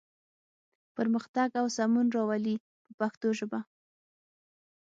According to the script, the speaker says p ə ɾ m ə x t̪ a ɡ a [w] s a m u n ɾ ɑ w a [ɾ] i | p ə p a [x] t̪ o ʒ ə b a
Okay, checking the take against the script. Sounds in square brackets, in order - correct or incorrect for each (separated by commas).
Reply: correct, incorrect, correct